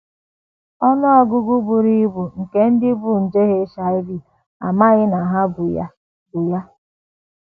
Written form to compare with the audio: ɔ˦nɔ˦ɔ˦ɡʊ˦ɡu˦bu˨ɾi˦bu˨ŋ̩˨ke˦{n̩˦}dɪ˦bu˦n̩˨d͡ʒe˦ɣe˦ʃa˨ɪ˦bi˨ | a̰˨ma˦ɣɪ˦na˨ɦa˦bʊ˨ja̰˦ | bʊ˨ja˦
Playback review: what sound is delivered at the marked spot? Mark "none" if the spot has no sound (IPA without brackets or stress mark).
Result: n̩˦